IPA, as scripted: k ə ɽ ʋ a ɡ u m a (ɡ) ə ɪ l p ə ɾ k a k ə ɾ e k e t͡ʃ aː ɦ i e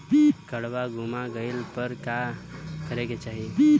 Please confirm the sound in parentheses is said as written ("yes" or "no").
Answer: yes